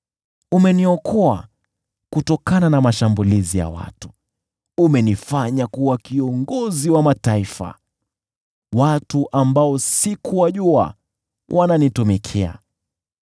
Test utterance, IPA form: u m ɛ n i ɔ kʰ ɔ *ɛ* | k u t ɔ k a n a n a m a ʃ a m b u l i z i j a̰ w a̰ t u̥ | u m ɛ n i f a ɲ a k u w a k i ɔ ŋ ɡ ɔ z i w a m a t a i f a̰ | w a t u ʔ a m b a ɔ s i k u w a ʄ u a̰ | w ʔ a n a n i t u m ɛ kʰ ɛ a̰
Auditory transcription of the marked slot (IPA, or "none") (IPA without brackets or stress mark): a